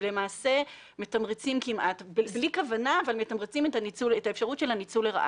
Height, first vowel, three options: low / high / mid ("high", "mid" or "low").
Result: mid